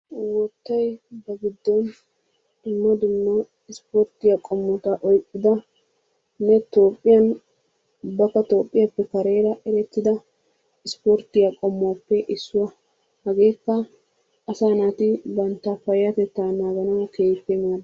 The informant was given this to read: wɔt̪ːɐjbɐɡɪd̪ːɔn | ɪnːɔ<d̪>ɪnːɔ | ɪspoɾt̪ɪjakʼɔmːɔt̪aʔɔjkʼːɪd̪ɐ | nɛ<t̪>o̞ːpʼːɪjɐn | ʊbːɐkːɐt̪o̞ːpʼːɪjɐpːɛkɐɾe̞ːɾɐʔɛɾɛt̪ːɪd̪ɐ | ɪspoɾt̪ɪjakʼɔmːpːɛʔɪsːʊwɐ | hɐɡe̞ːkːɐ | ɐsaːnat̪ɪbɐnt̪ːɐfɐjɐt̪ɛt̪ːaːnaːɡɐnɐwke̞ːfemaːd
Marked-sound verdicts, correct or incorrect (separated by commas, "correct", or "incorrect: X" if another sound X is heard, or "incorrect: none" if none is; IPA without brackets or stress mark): correct, correct